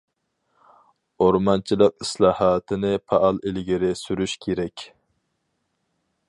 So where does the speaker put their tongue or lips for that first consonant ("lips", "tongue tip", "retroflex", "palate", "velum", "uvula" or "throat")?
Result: tongue tip